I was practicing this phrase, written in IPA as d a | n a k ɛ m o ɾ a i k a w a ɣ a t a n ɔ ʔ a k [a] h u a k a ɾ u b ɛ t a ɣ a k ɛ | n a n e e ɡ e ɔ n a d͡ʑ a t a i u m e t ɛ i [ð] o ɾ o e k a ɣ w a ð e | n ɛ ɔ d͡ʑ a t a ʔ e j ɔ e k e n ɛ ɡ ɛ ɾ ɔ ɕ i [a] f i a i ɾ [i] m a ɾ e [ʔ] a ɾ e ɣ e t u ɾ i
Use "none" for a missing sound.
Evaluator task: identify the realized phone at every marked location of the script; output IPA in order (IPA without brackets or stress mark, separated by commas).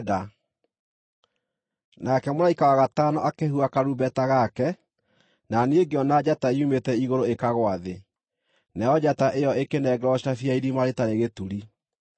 e, ɣ, a, i, t